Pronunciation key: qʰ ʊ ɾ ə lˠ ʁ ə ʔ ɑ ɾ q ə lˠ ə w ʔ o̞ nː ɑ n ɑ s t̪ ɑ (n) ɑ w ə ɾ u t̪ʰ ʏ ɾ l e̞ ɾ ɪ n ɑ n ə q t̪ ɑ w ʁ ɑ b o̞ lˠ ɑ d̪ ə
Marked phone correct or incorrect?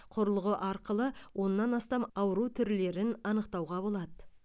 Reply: incorrect